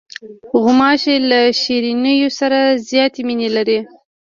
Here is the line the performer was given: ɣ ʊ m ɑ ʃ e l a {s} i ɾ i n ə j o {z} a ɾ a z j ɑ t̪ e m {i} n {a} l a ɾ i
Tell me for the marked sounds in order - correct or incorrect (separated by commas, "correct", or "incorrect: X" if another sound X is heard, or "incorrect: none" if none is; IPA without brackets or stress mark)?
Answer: incorrect: ʃ, incorrect: s, correct, incorrect: e